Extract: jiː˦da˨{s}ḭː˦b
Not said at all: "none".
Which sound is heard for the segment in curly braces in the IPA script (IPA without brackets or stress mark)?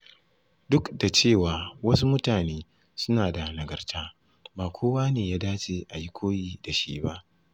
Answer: ʃ